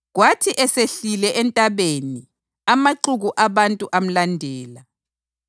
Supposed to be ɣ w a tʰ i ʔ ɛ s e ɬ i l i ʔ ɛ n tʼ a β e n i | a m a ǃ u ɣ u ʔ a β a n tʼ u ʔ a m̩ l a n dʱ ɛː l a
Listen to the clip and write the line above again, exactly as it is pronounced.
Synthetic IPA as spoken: ɣ w a tʰ i ʔ ɛ s e ɬ i l ɛ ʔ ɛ n tʼ a β e n i | a m a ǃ u ɣ u ʔ a β a n tʼ u ʔ a m̩ l a n dʱ ɛː l a